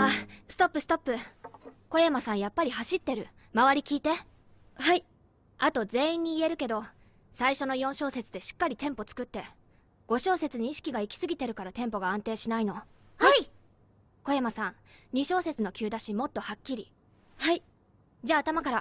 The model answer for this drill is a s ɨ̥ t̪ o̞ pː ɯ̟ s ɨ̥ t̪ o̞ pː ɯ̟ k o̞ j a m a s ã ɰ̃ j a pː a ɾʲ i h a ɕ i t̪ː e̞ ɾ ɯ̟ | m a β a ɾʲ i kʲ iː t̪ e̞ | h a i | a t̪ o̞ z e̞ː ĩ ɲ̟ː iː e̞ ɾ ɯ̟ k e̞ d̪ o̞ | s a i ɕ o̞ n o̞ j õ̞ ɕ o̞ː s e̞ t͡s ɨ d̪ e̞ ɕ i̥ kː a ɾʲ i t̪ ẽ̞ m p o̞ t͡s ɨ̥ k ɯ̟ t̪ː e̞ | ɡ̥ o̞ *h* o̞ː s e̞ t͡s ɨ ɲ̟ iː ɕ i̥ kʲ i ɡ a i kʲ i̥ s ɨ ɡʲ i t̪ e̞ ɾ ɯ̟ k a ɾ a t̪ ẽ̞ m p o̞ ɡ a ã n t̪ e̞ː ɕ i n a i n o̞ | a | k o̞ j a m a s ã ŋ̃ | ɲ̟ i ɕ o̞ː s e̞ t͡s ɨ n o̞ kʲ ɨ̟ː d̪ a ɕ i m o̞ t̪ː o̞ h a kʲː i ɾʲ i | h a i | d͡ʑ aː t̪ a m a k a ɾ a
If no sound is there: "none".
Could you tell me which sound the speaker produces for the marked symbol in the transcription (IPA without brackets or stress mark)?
ɕ